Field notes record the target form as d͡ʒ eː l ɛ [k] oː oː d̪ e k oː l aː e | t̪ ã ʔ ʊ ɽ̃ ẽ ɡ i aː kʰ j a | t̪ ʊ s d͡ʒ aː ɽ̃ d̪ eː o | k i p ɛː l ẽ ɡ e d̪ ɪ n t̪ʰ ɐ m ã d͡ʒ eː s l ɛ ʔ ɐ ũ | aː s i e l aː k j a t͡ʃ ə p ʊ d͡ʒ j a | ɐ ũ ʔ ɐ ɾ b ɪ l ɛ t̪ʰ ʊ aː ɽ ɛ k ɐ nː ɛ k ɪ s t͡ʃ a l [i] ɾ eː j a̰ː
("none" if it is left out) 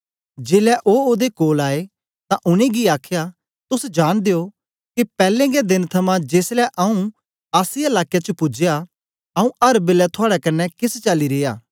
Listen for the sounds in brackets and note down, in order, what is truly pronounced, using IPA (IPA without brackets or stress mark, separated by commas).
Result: ʔ, i